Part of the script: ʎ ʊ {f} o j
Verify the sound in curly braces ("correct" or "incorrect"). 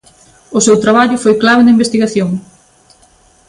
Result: correct